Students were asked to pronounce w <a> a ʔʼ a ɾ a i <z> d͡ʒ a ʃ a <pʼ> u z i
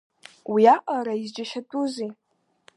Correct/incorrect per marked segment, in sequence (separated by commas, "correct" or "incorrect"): incorrect, correct, incorrect